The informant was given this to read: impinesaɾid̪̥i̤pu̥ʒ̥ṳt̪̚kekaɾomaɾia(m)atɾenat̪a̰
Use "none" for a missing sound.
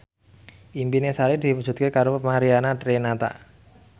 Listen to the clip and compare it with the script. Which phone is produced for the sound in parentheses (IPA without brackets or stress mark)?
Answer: n